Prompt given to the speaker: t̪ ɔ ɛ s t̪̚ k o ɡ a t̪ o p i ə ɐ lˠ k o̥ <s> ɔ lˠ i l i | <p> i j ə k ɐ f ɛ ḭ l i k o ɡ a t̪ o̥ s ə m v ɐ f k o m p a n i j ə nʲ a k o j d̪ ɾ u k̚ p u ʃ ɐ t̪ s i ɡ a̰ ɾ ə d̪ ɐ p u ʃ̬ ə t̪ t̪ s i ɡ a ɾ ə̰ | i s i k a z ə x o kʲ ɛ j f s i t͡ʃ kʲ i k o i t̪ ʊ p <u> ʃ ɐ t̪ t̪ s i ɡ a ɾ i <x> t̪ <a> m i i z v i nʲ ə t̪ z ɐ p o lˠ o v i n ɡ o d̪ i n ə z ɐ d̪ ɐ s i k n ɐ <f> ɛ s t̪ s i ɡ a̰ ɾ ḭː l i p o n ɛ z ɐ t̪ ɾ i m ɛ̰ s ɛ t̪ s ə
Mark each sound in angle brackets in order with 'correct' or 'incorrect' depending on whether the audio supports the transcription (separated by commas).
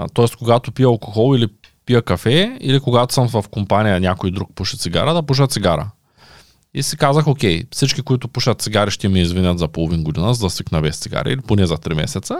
incorrect, correct, correct, incorrect, incorrect, incorrect